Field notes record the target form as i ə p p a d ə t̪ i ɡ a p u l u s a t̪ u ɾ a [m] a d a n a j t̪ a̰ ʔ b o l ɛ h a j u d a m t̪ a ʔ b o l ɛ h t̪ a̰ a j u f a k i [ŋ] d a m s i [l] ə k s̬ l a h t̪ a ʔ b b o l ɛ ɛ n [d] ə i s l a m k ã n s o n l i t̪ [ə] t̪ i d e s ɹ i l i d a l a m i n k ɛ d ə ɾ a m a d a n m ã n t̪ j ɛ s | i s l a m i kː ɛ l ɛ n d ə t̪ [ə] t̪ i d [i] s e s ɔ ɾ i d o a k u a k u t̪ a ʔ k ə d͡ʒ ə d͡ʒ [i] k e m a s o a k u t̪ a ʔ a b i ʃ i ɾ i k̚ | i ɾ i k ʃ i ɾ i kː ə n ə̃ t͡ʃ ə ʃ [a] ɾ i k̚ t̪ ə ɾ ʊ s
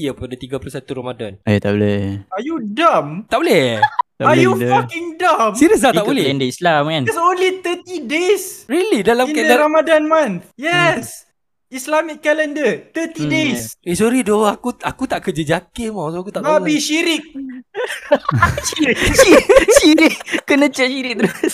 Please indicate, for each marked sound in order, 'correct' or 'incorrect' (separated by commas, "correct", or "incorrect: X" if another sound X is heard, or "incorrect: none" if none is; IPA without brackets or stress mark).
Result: correct, correct, incorrect: ɾ, correct, correct, correct, incorrect: e, incorrect: a, incorrect: i